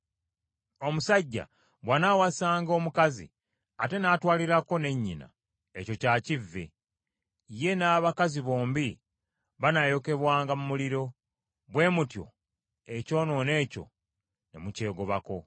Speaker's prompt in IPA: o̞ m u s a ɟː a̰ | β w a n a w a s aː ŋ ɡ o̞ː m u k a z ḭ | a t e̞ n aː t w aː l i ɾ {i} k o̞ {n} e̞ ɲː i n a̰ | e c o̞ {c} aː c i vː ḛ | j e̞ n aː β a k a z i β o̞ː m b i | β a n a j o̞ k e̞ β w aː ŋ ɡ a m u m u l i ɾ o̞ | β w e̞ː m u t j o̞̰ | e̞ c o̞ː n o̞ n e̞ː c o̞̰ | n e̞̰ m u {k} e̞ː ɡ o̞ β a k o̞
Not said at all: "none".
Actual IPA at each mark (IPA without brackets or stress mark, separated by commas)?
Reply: a, n, c, c